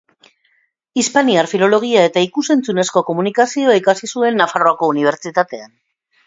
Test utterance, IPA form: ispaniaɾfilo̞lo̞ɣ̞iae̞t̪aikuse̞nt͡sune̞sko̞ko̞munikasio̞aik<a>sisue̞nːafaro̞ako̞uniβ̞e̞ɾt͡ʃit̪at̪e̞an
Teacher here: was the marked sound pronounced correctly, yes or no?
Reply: yes